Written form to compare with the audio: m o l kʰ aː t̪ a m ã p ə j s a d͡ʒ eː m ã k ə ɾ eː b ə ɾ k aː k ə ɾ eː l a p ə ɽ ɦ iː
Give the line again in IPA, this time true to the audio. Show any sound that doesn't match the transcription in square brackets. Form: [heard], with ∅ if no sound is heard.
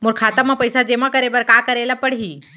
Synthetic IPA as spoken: m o [ɾ] kʰ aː t̪ a m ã p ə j s a d͡ʒ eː m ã k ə ɾ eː b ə ɾ k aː k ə ɾ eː l a p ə ɽ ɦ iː